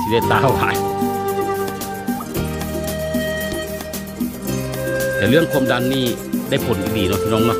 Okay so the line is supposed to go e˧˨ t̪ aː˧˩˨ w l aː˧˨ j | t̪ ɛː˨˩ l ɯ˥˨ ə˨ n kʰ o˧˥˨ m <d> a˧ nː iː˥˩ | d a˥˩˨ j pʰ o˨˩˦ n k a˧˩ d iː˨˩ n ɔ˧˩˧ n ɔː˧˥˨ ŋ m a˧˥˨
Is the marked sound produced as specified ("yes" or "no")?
yes